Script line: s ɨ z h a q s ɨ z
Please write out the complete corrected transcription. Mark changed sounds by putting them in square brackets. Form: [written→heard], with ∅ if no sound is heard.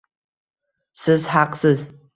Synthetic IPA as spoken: s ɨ z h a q s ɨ z

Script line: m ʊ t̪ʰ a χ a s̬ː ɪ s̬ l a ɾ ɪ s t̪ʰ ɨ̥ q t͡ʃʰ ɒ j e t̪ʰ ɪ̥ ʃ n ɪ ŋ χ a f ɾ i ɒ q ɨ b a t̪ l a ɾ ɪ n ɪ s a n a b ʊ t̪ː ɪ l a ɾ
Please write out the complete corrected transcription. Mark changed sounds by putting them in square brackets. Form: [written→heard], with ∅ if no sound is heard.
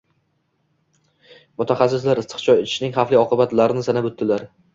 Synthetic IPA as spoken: m ʊ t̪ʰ a χ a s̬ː ɪ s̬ l a ɾ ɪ s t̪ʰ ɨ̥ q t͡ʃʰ ɒ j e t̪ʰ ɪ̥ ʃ n ɪ ŋ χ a f [ɾ→l] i ɒ q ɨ b a t̪ l a ɾ ɪ n ɪ s a n a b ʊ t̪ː ɪ l a ɾ

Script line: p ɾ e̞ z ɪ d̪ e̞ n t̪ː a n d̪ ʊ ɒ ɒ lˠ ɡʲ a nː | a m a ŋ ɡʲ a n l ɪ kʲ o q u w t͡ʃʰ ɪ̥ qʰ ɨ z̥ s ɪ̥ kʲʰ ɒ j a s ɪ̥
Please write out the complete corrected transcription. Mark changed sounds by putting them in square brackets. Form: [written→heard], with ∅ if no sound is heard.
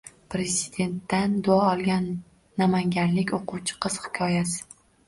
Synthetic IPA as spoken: p ɾ e̞ z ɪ d̪ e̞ n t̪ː a n d̪ ʊ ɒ ɒ lˠ ɡʲ a nː | a m a ŋ ɡʲ a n l ɪ kʲ o q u w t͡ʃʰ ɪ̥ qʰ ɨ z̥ [s→h] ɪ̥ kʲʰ ɒ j a s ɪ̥

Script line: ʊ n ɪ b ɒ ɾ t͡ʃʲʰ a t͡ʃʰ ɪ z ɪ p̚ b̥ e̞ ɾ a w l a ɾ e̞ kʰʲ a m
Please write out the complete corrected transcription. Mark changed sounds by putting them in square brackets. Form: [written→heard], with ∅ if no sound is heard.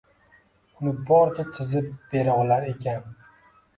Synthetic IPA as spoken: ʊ n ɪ b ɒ ɾ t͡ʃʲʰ a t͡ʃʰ ɪ z ɪ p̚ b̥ e̞ ɾ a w l a ɾ e̞ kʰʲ a [m→n]

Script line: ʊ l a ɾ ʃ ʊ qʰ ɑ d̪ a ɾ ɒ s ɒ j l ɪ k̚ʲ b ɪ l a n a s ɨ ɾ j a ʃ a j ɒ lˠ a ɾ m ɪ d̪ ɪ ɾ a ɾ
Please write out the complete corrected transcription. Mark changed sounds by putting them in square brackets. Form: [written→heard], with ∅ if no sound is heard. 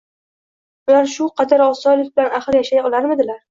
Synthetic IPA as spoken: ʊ l a ɾ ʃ ʊ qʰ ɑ d̪ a ɾ ɒ s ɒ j l ɪ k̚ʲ b ɪ l a n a [s→χ] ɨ ɾ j a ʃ a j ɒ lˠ a ɾ m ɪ d̪ ɪ [ɾ→l] a ɾ

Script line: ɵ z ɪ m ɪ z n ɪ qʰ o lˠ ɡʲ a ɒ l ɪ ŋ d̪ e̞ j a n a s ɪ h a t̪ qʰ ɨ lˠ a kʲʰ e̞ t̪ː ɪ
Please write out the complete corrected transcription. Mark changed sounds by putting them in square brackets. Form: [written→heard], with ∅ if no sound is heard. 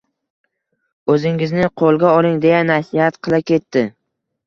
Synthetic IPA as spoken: ɵ z ɪ [m→ŋ] ɪ z n ɪ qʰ o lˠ ɡʲ a ɒ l ɪ ŋ d̪ e̞ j a n a s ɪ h a t̪ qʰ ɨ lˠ a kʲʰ e̞ t̪ː ɪ

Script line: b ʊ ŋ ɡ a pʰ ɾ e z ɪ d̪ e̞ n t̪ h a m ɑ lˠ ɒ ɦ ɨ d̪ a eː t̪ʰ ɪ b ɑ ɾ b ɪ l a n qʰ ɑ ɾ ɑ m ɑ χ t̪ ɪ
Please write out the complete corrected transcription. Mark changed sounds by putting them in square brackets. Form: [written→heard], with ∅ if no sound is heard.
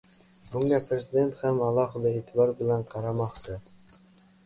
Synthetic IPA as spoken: b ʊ ŋ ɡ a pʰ ɾ e z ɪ d̪ e̞ n t̪ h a m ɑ lˠ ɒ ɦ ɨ d̪ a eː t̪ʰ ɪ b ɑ ɾ b ɪ l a n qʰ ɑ ɾ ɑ m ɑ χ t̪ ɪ

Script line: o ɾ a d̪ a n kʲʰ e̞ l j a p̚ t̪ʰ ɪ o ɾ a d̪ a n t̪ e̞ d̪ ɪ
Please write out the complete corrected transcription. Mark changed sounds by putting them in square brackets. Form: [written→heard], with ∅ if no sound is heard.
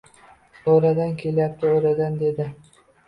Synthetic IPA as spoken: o ɾ a d̪ a n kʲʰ e̞ l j a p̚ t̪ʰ ɪ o ɾ a d̪ a n [t̪→d̪] e̞ d̪ ɪ

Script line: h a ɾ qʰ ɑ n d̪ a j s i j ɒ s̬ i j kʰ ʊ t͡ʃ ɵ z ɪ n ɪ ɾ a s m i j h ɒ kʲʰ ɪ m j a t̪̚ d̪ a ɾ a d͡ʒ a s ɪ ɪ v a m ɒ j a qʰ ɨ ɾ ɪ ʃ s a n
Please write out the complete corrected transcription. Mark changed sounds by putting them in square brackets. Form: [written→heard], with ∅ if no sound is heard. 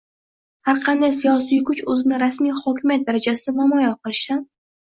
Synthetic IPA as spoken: h a ɾ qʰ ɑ n d̪ a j s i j ɒ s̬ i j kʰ ʊ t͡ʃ ɵ z ɪ n ɪ ɾ a s m i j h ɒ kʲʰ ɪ m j a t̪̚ d̪ a ɾ a d͡ʒ a s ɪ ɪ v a m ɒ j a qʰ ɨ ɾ ɪ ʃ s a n

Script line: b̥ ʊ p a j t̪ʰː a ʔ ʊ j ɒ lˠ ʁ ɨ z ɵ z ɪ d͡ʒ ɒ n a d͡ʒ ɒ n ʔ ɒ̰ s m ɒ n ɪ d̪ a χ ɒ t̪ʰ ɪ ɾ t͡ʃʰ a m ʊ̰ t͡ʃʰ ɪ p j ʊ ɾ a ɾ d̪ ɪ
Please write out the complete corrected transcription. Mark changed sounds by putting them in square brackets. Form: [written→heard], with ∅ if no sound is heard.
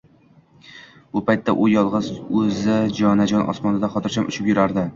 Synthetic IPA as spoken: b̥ ʊ p a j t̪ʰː a ʔ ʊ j ɒ lˠ ʁ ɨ z ɵ z ɪ d͡ʒ ɒ n a d͡ʒ ɒ n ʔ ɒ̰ s m ɒ n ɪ d̪ a χ ɒ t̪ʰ ɪ ɾ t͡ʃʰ a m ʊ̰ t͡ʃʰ ɪ p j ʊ ɾ a ɾ d̪ ɪ

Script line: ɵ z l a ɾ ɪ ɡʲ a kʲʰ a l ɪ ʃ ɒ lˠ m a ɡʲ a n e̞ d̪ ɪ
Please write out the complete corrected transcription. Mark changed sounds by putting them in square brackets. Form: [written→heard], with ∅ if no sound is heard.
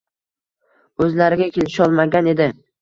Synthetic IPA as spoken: ɵ z l a ɾ ɪ ɡʲ a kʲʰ [a→e] l ɪ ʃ ɒ lˠ m a ɡʲ a n e̞ d̪ ɪ

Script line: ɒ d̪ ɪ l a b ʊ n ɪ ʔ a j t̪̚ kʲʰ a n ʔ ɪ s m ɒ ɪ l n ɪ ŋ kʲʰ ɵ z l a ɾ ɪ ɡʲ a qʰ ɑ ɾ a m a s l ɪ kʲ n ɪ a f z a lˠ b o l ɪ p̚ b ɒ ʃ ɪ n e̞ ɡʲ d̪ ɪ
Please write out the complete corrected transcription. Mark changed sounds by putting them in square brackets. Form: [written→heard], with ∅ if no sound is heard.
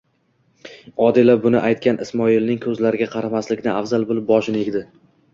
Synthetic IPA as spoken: ɒ d̪ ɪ l a b ʊ n ɪ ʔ a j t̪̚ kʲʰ a n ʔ ɪ s m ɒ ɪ l n ɪ ŋ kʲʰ ɵ z l a ɾ ɪ ɡʲ a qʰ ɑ ɾ a m a s l ɪ kʲ n ɪ a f z a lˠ b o l ɪ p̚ b ɒ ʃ ɪ n e̞ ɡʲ d̪ ɪ

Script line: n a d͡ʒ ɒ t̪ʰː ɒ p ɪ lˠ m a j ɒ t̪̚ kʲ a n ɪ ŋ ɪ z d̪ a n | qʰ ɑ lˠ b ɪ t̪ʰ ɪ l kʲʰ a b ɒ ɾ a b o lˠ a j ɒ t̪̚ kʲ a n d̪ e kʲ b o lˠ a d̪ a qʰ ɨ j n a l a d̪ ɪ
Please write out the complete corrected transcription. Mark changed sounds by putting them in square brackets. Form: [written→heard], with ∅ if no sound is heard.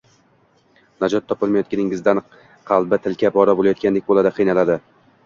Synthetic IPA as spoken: n a d͡ʒ ɒ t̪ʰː ɒ p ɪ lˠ m a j ɒ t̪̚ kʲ a n ɪ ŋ ɪ z d̪ a n | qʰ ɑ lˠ b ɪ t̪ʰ ɪ l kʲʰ a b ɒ ɾ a b o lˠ a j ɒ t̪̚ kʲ a n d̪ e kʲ b o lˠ a d̪ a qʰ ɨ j n a l a d̪ ɪ

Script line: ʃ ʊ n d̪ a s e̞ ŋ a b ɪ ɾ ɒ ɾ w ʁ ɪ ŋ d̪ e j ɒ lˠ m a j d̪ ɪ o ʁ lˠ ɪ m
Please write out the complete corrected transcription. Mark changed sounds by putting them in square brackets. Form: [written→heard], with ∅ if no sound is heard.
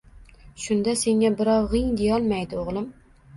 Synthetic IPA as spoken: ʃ ʊ n d̪ a s e̞ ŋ a b ɪ ɾ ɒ [ɾ→∅] w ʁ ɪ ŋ d̪ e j ɒ lˠ m a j d̪ ɪ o ʁ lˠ ɪ m

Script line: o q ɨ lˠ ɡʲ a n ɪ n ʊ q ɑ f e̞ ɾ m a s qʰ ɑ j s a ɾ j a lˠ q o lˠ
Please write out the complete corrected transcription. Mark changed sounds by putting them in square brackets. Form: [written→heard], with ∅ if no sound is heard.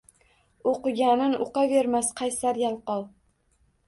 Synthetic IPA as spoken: o q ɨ [lˠ→∅] ɡʲ a n ɪ n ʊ q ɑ [f→v] e̞ ɾ m a s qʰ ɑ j s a ɾ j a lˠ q [o→ɒ] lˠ

